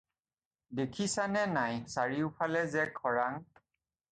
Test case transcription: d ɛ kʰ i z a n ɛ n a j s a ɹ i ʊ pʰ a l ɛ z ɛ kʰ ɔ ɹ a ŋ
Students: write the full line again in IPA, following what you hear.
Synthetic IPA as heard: d e kʰ i s a n ɛ n a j s a ɹ i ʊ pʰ a l ɛ z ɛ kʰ ɔ ɹ a ŋ

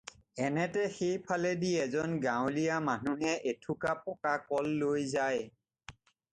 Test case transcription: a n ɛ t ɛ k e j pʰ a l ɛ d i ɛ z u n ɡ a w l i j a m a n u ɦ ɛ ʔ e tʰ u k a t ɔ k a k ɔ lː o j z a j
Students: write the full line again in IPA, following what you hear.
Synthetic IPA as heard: ɛ n ɛ t ɛ x e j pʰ a l ɛ d i ɛ z ɔ n ɡ a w l i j a m a n u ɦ ɛ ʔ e tʰ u k a p ɔ k a k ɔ lː o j z a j

